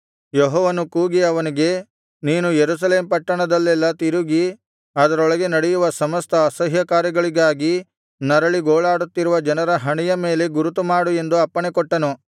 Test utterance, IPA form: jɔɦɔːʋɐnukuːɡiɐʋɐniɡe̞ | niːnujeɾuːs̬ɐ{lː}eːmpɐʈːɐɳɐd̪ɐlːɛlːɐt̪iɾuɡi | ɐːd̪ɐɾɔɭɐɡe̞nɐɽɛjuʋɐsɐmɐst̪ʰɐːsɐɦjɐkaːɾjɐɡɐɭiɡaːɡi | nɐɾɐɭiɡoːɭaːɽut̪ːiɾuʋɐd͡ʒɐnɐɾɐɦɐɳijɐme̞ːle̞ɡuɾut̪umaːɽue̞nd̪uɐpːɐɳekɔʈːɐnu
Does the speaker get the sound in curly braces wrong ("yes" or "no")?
yes